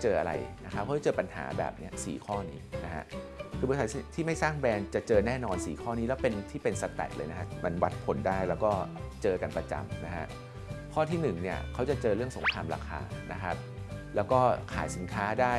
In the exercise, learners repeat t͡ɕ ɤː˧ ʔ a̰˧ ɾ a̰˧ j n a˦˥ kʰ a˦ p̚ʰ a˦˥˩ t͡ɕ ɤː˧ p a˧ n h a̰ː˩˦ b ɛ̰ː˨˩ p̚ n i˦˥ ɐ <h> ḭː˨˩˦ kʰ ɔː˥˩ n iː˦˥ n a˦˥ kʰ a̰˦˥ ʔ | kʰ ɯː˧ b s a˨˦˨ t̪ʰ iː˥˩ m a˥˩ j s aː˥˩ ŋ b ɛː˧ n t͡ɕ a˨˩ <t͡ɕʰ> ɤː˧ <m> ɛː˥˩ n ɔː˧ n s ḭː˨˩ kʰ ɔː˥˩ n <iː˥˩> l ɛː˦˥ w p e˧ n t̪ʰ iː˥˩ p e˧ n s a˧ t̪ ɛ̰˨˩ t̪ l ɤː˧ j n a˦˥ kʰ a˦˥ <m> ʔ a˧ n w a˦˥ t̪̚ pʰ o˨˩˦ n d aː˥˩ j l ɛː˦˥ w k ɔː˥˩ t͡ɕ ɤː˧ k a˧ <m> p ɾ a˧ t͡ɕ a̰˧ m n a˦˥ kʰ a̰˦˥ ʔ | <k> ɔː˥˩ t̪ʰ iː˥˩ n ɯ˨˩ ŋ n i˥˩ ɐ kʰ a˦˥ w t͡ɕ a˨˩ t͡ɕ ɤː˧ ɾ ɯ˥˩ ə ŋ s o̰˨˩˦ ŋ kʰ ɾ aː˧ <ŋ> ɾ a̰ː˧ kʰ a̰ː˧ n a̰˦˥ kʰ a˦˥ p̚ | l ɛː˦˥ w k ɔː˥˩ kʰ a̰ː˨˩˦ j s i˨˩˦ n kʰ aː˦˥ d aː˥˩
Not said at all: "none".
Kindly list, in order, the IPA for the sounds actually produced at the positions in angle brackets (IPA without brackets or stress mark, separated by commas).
s, t͡ɕ, n, iː˦˥, m, n, kʰ, m